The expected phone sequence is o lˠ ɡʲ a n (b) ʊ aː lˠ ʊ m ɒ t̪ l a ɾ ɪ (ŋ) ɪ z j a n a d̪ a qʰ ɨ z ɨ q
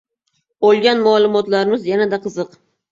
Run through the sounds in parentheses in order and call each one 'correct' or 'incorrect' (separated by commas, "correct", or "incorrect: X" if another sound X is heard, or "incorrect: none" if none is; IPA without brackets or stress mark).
incorrect: m, incorrect: m